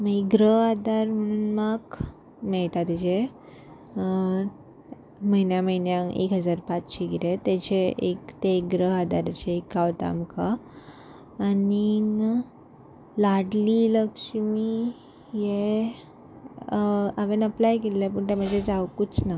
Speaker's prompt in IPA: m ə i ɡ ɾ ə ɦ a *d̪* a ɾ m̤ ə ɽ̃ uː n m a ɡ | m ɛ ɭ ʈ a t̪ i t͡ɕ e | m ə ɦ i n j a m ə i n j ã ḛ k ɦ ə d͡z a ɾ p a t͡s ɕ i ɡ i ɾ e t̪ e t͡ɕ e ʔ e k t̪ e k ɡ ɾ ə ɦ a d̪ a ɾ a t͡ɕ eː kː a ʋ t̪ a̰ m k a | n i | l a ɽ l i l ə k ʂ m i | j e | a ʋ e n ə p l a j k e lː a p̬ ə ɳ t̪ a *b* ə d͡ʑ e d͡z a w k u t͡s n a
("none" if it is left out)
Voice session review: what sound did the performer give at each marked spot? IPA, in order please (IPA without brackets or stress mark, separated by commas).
d̪, m